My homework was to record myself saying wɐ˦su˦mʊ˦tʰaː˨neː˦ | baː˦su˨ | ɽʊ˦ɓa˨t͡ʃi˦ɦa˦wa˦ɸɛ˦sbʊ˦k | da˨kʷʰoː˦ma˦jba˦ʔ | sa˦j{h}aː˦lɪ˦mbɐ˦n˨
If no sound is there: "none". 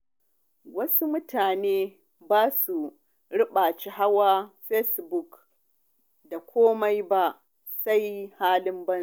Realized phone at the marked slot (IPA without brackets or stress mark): h